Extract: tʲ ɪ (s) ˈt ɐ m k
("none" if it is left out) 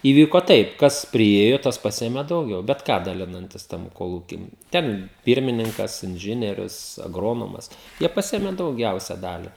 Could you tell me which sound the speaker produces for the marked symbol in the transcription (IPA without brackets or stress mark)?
s